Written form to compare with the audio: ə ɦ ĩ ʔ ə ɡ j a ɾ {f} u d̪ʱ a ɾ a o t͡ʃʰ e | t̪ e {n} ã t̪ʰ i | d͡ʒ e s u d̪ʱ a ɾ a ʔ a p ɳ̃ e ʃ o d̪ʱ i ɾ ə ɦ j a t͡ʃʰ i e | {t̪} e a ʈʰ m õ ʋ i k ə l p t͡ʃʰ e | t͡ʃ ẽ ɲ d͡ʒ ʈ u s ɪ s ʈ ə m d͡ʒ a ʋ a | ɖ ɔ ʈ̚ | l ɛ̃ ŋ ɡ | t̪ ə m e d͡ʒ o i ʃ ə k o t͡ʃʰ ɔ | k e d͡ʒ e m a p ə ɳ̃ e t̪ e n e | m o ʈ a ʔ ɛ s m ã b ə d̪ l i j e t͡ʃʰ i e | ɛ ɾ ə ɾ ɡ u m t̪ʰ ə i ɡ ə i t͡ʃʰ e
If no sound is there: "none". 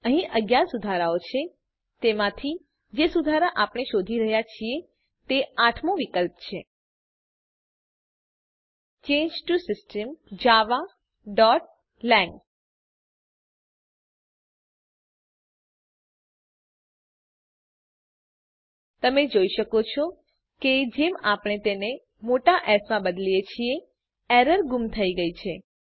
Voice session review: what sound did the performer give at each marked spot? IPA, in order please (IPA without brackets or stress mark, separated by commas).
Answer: s, m, t̪